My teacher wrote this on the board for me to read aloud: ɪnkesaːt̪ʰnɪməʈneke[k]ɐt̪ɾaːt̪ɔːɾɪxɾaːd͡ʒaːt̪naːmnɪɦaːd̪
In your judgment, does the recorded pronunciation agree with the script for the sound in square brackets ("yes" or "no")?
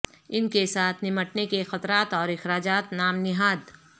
no